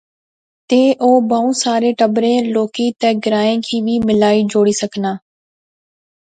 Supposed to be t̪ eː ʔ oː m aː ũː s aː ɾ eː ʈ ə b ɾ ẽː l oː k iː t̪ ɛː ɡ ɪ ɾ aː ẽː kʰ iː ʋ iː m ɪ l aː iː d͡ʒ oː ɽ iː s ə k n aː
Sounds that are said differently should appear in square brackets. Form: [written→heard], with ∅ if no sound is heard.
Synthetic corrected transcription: t̪ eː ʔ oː [m→b] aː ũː s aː ɾ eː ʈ ə b ɾ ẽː l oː k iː t̪ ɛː ɡ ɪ ɾ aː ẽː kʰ iː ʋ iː m ɪ l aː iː d͡ʒ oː ɽ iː s ə k n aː